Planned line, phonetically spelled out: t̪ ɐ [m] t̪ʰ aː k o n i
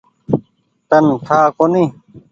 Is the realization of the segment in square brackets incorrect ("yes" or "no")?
yes